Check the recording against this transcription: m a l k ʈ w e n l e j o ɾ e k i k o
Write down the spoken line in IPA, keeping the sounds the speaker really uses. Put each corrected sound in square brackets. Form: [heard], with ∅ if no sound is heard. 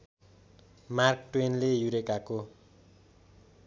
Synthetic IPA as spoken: m a [r] k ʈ w e n l e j [u] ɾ e k [a] k o